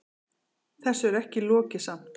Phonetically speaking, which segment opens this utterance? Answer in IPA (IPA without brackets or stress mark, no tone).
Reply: θ